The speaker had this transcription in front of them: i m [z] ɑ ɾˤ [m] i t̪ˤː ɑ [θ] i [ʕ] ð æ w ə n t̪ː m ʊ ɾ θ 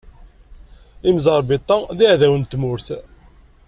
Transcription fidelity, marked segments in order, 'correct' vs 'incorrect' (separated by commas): correct, incorrect, incorrect, correct